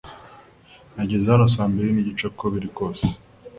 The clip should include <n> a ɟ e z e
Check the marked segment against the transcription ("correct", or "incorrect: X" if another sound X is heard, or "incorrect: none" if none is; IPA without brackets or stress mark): correct